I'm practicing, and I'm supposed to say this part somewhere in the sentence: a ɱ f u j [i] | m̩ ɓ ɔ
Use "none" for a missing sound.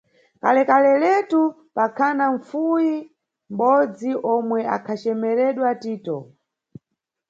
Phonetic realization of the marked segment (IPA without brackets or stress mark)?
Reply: i